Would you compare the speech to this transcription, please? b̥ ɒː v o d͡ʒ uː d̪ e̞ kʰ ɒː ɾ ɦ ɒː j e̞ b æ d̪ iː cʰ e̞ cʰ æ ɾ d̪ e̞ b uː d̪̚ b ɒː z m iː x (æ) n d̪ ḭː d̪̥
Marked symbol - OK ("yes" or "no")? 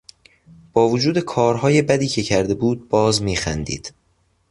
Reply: yes